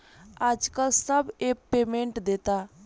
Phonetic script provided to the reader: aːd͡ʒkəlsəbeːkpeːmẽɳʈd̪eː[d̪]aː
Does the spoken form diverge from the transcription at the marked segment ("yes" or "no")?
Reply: yes